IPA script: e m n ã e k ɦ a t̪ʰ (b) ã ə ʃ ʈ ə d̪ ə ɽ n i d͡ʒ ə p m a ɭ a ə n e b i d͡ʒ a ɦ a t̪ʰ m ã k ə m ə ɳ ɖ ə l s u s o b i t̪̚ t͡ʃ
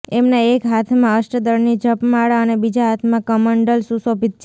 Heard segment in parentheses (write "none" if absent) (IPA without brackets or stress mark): m